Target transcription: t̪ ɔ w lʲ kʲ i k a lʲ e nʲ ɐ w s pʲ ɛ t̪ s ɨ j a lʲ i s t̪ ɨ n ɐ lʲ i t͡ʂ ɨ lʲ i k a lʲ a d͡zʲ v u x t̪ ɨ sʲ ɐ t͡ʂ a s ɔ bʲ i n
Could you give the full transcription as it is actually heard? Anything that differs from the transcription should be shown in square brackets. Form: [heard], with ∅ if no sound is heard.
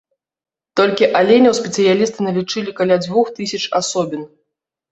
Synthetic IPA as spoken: t̪ ɔ [∅] lʲ kʲ i [ʔ] a lʲ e nʲ ɐ w s pʲ ɛ t̪ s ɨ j a lʲ i s t̪ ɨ n ɐ lʲ i t͡ʂ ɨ lʲ i k a lʲ a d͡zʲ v u x t̪ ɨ sʲ ɐ t͡ʂ a s ɔ bʲ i n

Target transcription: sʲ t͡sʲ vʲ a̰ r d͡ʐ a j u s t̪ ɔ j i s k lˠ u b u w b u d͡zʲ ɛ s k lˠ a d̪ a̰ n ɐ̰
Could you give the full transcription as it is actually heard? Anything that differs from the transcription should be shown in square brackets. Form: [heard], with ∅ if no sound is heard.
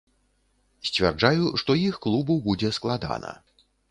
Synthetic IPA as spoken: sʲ t͡sʲ vʲ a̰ r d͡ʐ a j u [ʂ] t̪ ɔ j i [x] k lˠ u b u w b u d͡zʲ ɛ s k lˠ a d̪ a̰ n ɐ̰

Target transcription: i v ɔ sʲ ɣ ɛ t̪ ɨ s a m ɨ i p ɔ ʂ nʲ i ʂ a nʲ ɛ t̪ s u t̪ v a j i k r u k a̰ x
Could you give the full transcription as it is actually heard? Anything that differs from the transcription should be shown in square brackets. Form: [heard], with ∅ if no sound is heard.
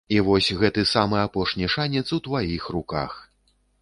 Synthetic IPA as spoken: i v ɔ sʲ ɣ ɛ t̪ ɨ s a m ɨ [a] p ɔ ʂ nʲ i ʂ a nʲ ɛ t̪ s u t̪ v a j i [x] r u k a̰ x

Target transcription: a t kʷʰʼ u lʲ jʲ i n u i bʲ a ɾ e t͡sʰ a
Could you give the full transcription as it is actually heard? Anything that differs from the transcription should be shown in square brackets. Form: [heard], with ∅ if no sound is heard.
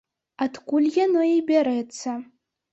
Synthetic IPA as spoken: a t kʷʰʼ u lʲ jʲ [a] n [o] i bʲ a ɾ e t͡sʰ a

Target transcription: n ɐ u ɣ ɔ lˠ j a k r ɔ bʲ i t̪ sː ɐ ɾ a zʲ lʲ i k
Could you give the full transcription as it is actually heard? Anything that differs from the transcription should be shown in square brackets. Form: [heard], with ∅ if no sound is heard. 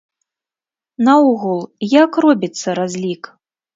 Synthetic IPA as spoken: n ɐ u ɣ [u] lˠ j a k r ɔ bʲ i t̪ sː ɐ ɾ a zʲ lʲ i k

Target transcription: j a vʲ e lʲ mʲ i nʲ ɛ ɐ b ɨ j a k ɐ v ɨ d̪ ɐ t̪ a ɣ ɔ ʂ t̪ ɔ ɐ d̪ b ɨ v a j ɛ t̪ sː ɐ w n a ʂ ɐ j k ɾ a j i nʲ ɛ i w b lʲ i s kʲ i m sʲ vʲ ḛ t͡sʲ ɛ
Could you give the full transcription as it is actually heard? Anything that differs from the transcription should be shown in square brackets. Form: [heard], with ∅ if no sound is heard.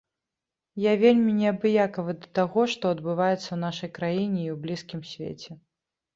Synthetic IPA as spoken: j a vʲ e lʲ mʲ i nʲ ɛ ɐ b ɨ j a k ɐ v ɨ d̪ ɐ t̪ a ɣ ɔ ʂ t̪ ɔ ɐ d̪ b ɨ v a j ɛ t̪ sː ɐ w n a ʂ ɐ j k ɾ a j i nʲ ɛ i w b lʲ i s kʲ i m sʲ vʲ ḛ t͡sʲ ɛ

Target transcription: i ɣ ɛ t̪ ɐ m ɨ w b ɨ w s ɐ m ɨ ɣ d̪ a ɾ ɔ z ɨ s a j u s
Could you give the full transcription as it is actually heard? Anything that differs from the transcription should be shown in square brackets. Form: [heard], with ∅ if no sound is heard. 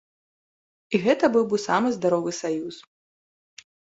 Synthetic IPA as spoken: i ɣ ɛ t̪ ɐ [b] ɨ w b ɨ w s [a] m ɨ [z] d̪ a ɾ ɔ [v] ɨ s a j u s

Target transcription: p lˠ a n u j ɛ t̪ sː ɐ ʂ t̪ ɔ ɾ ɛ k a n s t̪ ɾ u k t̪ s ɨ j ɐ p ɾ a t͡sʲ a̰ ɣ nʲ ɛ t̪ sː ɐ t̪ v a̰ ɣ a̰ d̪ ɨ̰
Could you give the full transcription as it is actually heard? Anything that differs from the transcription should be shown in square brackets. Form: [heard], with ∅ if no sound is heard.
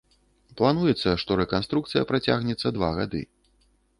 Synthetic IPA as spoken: p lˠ a n u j ɛ t̪ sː ɐ ʂ t̪ ɔ ɾ ɛ k a n s t̪ ɾ u k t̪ s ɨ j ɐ p ɾ a t͡sʲ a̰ ɣ nʲ ɛ t̪ sː ɐ [d̪] v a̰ ɣ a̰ d̪ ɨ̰

